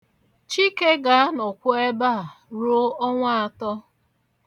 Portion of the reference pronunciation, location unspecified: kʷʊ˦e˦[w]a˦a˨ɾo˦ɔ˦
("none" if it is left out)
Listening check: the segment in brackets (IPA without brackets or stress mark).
b